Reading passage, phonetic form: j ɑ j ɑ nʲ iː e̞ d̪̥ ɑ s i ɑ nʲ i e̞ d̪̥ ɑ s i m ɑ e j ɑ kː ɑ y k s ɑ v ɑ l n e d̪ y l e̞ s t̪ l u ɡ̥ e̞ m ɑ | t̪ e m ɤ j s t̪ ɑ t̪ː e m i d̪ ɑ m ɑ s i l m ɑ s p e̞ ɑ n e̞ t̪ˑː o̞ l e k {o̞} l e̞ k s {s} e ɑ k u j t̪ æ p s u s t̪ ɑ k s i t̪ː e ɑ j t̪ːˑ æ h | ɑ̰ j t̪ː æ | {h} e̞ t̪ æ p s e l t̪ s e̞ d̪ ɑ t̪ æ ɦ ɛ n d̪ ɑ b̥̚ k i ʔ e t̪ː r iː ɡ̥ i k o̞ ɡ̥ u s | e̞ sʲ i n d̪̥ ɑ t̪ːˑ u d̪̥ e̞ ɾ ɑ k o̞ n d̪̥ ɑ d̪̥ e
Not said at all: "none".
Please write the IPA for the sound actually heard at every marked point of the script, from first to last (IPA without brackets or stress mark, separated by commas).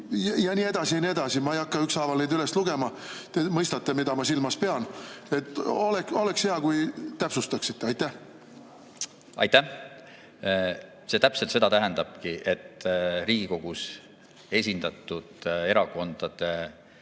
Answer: o̞, h, s